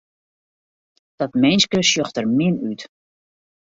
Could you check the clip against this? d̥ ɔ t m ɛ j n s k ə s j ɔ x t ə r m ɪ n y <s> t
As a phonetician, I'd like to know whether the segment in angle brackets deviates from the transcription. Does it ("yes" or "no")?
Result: yes